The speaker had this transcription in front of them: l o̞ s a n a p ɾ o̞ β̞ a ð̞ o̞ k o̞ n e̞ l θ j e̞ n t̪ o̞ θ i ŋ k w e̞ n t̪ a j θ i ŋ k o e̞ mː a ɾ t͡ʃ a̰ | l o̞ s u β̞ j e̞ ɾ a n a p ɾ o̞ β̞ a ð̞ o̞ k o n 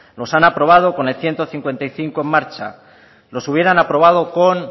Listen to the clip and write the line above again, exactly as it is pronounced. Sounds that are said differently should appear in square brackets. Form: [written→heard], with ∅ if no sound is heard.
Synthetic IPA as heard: l o̞ s a n a p ɾ o̞ β̞ a ð̞ o̞ k o̞ n e̞ l θ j e̞ n t̪ o̞ θ i ŋ k w e̞ n t̪ a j θ i ŋ k o e̞ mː a ɾ t͡ʃ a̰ | l o̞ s u β̞ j e̞ ɾ a n a p ɾ o̞ β̞ a ð̞ o̞ k o n